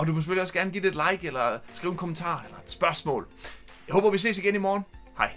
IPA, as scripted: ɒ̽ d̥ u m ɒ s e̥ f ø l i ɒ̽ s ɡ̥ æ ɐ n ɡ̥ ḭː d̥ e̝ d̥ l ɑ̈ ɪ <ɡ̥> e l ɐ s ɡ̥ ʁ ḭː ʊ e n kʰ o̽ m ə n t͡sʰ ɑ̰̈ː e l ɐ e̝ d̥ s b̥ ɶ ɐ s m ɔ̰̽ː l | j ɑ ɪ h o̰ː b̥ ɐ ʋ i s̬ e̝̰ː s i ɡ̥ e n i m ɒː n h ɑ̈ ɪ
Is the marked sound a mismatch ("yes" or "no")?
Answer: no